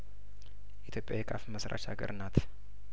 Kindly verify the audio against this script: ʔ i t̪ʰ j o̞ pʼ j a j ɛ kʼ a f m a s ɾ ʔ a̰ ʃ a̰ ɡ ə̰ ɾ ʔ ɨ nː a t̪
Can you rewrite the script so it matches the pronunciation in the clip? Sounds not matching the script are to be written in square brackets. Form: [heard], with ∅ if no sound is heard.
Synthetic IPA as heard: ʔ i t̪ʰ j o̞ pʼ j a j ɛ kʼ a f m [ə] s ɾ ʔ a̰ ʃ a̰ ɡ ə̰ ɾ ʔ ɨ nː a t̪